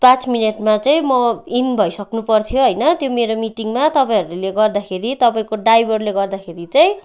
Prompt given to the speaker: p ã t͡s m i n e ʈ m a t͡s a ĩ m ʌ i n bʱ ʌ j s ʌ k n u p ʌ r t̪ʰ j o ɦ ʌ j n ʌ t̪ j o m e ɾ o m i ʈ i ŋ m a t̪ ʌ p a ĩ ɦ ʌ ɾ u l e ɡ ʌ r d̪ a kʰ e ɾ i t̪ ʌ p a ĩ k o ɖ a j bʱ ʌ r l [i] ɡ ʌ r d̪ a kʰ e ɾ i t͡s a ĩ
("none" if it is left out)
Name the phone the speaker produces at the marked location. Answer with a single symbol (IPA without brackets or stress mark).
e